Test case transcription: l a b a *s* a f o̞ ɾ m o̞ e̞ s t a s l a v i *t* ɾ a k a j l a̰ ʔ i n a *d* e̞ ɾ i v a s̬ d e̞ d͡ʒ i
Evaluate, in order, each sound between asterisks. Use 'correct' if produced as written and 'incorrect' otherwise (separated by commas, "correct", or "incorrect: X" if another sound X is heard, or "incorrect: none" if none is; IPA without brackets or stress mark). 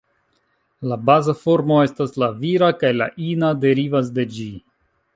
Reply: incorrect: z, incorrect: none, correct